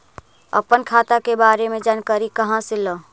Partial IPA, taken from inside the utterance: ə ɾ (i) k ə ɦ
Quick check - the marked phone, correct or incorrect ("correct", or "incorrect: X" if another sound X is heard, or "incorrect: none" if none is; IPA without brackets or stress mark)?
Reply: correct